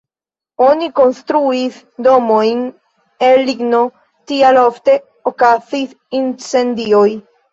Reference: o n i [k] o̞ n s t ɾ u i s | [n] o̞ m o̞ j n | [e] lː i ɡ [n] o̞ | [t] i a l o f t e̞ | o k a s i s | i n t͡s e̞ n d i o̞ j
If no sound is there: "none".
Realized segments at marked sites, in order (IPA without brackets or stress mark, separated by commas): k, d, e, n, t